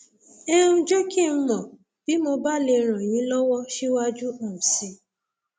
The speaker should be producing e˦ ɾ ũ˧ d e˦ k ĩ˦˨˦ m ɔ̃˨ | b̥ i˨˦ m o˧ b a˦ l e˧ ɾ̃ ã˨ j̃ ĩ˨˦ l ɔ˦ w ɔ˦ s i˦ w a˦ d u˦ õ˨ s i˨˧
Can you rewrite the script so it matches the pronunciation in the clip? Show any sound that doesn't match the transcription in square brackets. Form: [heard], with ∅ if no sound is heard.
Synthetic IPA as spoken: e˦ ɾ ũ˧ [d͡ʒ] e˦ k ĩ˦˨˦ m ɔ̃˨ | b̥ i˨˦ m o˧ b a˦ l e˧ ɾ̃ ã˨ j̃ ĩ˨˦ l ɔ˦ w ɔ˦ [ʃ] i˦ w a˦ [d͡ʒ] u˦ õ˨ s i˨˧